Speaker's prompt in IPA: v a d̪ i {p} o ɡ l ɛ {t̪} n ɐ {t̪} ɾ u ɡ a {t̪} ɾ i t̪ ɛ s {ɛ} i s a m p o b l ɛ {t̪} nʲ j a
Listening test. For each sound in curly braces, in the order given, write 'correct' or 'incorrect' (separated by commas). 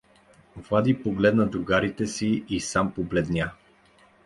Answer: correct, incorrect, incorrect, incorrect, incorrect, incorrect